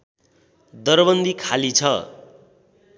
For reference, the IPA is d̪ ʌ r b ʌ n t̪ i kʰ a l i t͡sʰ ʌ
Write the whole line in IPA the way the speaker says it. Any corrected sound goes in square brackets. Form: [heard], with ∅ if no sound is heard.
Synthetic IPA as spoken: d̪ ʌ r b ʌ n [d̪] i kʰ a l i t͡sʰ ʌ